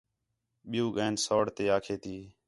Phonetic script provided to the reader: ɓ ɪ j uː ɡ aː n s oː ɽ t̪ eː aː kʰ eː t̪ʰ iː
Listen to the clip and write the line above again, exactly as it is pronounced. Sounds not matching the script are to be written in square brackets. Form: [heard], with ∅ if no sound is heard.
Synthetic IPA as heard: ɓ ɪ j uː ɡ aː n s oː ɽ t̪ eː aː kʰ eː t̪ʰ iː